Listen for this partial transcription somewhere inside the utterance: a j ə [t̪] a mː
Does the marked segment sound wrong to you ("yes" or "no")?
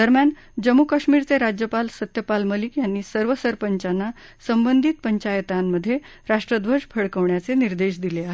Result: no